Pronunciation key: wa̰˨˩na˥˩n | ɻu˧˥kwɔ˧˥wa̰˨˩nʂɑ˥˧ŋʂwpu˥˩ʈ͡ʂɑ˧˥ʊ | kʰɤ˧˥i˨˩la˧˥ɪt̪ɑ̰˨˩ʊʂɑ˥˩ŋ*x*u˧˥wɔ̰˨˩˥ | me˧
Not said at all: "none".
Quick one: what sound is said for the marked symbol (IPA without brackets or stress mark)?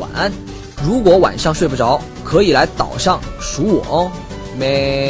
ʂ